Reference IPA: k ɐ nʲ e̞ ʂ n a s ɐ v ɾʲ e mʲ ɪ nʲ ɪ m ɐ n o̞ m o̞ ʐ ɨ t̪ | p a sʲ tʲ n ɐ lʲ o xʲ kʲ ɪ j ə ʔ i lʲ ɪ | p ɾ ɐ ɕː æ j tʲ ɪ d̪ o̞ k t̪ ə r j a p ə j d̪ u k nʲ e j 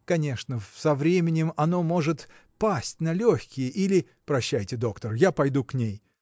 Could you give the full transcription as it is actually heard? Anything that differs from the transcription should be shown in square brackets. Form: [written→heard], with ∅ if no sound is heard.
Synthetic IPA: k ɐ nʲ e̞ ʂ n [a→ə] s ɐ v ɾʲ e mʲ ɪ nʲ ɪ m ɐ n o̞ m o̞ ʐ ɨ t̪ | p a sʲ tʲ n ɐ lʲ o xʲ kʲ ɪ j ə ʔ i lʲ ɪ | p ɾ ɐ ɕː æ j tʲ ɪ d̪ o̞ k t̪ ə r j a p [ə→ɐ] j d̪ u k nʲ e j